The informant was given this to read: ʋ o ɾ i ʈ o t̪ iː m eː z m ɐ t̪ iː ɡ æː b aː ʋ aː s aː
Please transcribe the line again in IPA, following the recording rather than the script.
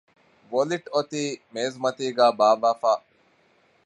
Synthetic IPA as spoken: ʋ o l i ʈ o t̪ iː m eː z m ɐ t̪ iː ɡ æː b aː ʋ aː f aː